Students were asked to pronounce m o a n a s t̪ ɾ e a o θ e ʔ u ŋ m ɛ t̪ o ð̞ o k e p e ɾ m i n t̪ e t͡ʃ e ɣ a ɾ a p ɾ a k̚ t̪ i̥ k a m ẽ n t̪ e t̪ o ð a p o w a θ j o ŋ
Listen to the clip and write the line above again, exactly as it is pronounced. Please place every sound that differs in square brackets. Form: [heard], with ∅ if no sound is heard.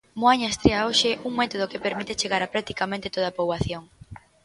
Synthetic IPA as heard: m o a [ɲ] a s t̪ ɾ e a o [ʃ] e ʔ u ŋ m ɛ t̪ o ð̞ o k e p e ɾ m i [∅] t̪ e t͡ʃ e ɣ a ɾ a p ɾ a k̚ t̪ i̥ k a m ẽ n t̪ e t̪ o ð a p o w a θ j o ŋ

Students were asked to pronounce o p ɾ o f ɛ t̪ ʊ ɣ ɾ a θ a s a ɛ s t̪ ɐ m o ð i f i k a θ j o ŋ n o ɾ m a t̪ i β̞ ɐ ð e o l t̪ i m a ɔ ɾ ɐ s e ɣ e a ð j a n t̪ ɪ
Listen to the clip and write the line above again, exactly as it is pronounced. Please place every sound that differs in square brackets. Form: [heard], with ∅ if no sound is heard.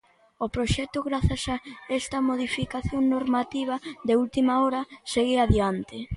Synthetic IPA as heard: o p ɾ o [ʃ] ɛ t̪ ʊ ɣ ɾ a θ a s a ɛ s t̪ ɐ m o ð i f i k a θ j o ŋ n o ɾ m a t̪ i β̞ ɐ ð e [u] l t̪ i m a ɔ ɾ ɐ s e ɣ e a ð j a n t̪ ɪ

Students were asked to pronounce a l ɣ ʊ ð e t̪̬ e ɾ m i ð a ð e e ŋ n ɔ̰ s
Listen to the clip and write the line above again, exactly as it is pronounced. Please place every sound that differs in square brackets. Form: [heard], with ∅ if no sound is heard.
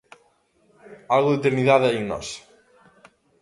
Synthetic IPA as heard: a l ɣ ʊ ð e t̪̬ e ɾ [n] i ð a ð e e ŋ n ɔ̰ s

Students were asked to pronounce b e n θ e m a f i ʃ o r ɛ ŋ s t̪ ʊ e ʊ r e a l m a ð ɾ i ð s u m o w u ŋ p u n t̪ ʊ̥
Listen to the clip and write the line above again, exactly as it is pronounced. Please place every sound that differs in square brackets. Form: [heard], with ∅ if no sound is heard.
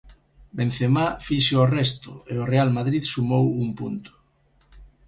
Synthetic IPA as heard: b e n θ e m a f i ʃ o r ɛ [∅] s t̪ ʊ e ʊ r e a l m a ð ɾ i ð s u m o w u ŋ p u n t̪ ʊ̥

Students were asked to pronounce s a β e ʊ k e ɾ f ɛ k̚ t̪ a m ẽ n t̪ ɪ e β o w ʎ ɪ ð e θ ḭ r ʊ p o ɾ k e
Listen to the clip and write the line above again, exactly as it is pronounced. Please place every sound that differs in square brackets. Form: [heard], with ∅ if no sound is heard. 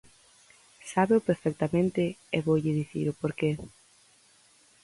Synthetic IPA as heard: s a β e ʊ [p] e ɾ f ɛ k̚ t̪ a m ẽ n t̪ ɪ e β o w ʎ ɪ ð [i] θ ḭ [ɾ] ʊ p o ɾ k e

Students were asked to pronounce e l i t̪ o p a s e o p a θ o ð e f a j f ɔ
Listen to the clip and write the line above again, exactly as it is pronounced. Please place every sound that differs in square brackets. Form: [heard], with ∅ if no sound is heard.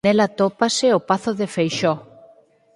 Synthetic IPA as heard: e l [a] t̪ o p a s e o p a θ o ð e f [e] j [ʃ] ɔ

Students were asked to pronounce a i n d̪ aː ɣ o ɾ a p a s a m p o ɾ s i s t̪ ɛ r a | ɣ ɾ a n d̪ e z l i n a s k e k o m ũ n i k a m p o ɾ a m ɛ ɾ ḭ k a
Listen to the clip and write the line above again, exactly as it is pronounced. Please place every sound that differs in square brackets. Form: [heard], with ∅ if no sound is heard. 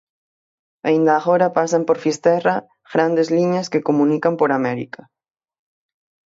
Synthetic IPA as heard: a i n d̪ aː ɣ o ɾ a p a s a m p o ɾ [f] i s t̪ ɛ r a | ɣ ɾ a n d̪ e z l i [ɲ] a s k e k o m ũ n i k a m p o ɾ a m ɛ ɾ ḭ k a

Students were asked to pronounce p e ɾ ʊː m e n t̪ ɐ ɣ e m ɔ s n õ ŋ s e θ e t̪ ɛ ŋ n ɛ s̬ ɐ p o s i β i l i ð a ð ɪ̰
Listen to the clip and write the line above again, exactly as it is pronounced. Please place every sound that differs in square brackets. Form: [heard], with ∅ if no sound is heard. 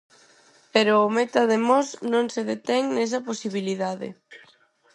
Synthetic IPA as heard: p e ɾ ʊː m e [∅] t̪ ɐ [ð] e m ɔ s n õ ŋ s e [ð] e t̪ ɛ ŋ n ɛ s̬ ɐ p o s i β i l i ð a ð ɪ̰

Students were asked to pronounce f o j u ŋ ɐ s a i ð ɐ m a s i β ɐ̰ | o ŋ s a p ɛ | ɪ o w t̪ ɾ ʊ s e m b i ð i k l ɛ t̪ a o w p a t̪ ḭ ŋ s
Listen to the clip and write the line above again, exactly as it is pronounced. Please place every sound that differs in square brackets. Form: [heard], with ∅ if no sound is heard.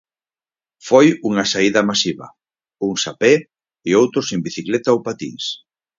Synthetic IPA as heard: f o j u ŋ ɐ s a i ð ɐ m a s i β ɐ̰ | [u] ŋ s a p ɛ | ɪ o w t̪ ɾ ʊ s e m b i [θ] i k l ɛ t̪ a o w p a t̪ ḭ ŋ s

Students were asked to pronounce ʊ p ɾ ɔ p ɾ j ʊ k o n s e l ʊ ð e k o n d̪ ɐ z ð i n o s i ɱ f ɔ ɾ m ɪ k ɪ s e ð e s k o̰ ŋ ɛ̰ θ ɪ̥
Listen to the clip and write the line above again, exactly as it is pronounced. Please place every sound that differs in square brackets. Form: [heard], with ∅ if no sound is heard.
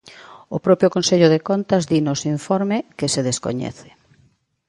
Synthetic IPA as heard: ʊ p ɾ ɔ p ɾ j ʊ k o n s e [ʎ] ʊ ð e k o n [t̪] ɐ z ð i n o s i ɱ f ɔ ɾ m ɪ k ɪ s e ð e s k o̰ [ɲ] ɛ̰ θ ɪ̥

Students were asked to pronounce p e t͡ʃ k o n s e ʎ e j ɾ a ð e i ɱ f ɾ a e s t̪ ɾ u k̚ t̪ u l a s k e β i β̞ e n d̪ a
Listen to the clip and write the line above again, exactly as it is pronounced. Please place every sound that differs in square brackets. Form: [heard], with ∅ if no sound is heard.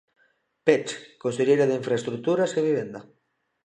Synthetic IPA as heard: p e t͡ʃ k o n s e ʎ e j ɾ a ð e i ɱ f ɾ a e s t̪ ɾ u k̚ t̪ u [ɾ] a s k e β i β̞ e n d̪ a

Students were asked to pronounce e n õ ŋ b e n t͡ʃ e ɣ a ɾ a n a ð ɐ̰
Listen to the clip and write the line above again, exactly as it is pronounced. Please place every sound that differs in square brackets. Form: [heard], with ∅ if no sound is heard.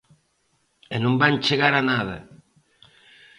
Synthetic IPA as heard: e n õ [m] b [a] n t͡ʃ e ɣ a ɾ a n a ð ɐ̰

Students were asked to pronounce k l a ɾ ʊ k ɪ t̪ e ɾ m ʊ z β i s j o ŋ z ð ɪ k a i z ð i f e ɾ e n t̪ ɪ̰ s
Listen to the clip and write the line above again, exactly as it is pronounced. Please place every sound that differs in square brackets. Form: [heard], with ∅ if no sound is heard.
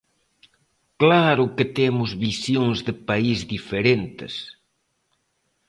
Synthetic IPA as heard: k l a ɾ ʊ k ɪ t̪ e [∅] m ʊ z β i s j o ŋ z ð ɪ [p] a i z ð i f e ɾ e n t̪ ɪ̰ s

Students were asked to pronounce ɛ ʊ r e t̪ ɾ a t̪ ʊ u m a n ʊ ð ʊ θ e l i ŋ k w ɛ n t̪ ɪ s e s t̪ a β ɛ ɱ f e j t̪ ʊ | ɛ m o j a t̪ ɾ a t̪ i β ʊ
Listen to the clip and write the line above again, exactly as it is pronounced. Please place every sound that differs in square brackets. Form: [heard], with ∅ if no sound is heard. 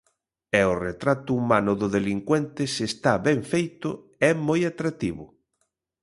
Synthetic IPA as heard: ɛ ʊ r e t̪ ɾ a t̪ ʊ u m a n ʊ ð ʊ [ð] e l i ŋ k w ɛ n t̪ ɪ s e s t̪ a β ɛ ɱ f e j t̪ ʊ | ɛ m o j a t̪ ɾ a t̪ i β ʊ

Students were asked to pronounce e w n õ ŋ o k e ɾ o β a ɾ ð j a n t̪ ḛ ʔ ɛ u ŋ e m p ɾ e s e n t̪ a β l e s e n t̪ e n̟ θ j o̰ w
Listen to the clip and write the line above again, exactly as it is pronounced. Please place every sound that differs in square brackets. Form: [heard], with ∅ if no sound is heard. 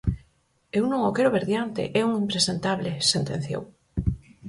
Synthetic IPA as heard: e w n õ ŋ o k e ɾ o β [e] ɾ ð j a n t̪ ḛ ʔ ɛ u ŋ [i] m p ɾ e s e n t̪ a β l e s e n t̪ e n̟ θ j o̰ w

